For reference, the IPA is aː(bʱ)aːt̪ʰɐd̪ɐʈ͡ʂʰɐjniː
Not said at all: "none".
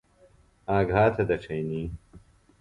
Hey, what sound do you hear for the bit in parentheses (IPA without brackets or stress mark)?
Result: ɡʱ